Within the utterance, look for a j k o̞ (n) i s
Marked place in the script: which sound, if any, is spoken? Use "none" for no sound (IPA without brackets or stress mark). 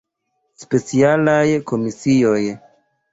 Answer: m